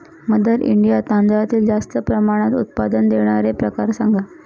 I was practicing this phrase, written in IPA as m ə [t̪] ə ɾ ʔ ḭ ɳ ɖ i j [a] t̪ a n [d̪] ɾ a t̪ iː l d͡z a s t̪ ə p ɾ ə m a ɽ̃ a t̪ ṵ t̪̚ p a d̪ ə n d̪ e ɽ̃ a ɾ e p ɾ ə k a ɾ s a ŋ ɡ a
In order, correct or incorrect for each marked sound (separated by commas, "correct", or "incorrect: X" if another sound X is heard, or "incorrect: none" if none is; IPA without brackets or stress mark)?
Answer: incorrect: d̪, correct, correct